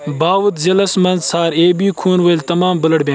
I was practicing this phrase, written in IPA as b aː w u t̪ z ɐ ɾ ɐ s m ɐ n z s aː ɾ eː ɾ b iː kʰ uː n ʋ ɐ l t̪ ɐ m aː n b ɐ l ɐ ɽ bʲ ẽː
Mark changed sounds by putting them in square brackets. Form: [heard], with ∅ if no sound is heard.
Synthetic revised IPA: b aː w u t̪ z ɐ [l] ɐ s m ɐ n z s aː ɾ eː [∅] b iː kʰ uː n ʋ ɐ l t̪ ɐ m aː [m] b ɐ l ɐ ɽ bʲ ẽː